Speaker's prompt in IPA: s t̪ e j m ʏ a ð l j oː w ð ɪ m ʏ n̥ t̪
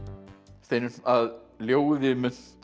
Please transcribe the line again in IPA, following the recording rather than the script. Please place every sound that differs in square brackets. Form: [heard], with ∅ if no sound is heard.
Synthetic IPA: s t̪ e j [n] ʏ a ð l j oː w ð ɪ m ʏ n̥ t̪